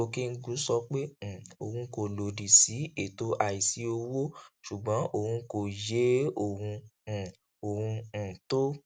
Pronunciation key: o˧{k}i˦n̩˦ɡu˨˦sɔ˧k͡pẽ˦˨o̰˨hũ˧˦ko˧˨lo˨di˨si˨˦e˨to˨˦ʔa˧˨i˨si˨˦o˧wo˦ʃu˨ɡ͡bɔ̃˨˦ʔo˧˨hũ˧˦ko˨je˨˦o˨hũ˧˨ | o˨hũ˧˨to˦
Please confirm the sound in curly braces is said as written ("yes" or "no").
yes